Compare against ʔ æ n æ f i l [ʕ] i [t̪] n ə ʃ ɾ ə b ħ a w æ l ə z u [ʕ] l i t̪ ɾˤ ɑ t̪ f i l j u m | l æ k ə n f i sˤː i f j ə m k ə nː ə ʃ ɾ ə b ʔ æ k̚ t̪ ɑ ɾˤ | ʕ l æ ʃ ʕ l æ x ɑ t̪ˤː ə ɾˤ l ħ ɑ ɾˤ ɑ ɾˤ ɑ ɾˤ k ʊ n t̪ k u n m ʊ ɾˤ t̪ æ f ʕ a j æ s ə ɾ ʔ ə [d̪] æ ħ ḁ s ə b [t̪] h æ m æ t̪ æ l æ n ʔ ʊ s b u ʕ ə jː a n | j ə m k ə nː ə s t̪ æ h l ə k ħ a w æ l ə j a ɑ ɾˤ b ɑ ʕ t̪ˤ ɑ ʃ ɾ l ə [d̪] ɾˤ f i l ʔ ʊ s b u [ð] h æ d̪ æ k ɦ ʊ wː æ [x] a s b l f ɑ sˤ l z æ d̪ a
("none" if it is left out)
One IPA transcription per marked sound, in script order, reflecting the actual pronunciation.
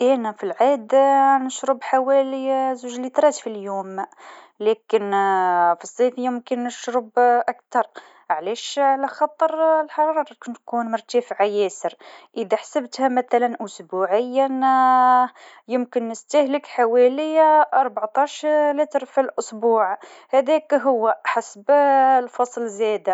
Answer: ʕ, d̪, ʒ, d̪, t̪, t̪, ʕ, ħ

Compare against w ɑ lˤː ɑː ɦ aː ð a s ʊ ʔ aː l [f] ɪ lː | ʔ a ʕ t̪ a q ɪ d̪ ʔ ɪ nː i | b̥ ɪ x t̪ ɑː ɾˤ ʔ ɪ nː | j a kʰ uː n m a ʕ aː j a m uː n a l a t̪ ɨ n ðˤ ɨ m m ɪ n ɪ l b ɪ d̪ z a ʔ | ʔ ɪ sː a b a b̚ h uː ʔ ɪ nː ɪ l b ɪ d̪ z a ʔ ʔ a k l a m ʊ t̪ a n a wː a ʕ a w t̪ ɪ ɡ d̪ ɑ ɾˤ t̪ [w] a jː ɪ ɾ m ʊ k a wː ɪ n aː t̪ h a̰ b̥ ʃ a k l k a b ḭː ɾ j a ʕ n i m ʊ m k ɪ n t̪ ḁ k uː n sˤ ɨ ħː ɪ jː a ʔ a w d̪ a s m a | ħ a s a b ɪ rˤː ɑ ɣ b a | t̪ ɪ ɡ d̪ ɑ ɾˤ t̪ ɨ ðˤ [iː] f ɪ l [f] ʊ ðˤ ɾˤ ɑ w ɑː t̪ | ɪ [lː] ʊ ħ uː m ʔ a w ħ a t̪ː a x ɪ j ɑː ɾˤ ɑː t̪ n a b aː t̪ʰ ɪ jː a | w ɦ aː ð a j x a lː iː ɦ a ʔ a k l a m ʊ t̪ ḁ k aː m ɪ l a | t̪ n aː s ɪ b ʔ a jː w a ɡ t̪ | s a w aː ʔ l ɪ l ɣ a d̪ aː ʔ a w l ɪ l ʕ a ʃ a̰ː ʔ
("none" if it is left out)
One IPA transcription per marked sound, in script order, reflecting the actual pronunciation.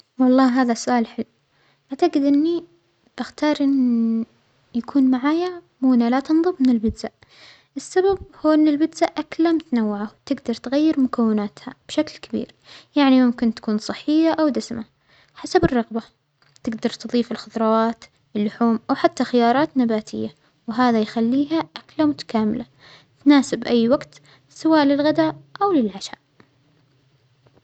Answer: ħ, ɣ, iː, x, lː

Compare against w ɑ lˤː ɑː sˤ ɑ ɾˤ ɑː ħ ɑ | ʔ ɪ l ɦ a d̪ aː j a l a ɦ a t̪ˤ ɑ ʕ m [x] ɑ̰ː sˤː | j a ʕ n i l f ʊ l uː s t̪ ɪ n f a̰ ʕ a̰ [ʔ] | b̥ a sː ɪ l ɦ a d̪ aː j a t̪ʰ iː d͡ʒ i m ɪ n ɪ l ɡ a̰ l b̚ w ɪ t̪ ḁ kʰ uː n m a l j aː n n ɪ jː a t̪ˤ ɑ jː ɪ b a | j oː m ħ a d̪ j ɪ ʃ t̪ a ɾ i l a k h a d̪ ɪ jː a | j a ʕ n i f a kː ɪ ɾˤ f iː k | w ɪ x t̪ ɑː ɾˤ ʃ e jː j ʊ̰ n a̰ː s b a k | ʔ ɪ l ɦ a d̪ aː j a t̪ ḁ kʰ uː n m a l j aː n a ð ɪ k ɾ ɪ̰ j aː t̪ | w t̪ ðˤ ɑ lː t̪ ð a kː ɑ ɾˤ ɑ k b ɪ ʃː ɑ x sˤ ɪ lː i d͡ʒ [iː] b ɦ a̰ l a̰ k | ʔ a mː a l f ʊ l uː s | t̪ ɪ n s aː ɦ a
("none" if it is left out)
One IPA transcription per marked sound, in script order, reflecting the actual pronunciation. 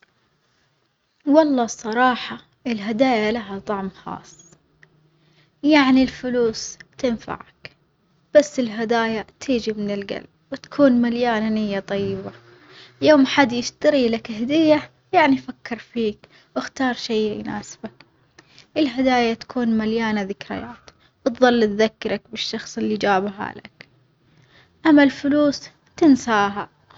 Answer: x, k, aː

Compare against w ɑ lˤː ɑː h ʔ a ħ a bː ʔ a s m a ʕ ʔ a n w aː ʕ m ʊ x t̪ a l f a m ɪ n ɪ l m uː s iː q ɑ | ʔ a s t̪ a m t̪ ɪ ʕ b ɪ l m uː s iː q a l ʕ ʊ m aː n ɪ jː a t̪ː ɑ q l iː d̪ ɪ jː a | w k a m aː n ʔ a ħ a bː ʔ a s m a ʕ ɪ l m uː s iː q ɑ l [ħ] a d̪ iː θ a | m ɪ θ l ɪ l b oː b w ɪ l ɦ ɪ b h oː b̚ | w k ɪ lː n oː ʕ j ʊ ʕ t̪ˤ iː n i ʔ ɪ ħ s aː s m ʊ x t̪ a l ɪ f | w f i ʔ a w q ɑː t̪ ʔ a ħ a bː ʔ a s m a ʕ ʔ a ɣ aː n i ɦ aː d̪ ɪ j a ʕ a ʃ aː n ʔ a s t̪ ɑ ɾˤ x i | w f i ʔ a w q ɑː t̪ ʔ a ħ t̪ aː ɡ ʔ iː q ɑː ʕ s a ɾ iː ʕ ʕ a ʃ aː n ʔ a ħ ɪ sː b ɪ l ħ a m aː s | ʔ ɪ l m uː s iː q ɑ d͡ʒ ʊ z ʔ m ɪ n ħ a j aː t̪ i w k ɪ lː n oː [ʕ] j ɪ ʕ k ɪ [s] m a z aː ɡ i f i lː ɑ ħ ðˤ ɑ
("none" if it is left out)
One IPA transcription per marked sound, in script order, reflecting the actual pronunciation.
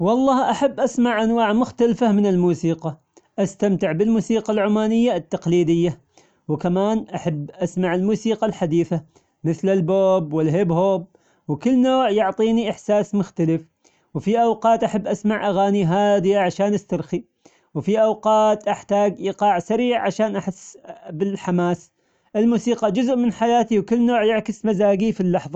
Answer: ħ, ʕ, s

